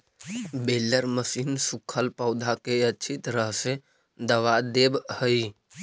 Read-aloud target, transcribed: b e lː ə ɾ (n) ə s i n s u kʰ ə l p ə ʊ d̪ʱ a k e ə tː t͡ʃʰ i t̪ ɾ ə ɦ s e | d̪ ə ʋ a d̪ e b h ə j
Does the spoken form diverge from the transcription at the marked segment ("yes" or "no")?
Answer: yes